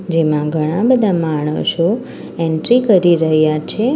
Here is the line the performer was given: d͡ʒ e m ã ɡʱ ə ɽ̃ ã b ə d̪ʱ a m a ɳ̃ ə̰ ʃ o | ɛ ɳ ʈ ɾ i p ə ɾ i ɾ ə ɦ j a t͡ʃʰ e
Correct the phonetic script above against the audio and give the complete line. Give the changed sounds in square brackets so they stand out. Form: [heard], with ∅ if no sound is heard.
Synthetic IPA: d͡ʒ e m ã ɡʱ ə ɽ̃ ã b ə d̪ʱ a m a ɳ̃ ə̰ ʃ o | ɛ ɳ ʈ ɾ i [k] ə ɾ i ɾ ə ɦ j a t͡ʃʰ e